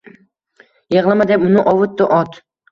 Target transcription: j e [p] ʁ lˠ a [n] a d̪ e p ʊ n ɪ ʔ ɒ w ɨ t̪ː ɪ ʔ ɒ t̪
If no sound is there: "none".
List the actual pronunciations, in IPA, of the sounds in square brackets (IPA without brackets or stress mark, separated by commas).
none, m